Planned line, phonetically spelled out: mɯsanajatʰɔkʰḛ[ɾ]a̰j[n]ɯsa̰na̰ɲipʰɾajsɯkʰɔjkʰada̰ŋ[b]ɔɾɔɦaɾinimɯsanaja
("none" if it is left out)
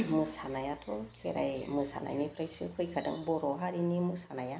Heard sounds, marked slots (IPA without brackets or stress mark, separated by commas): ɾ, m, b